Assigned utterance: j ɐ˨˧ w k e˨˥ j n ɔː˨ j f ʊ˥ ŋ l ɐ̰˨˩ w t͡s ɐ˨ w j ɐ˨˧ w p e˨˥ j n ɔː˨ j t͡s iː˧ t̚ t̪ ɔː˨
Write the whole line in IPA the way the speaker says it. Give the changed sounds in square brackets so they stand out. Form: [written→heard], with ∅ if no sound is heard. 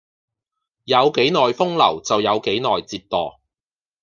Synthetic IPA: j ɐ˨˧ w k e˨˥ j n ɔː˨ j f ʊ˥ ŋ l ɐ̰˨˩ w t͡s ɐ˨ w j ɐ˨˧ w [p→k] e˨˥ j n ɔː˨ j t͡s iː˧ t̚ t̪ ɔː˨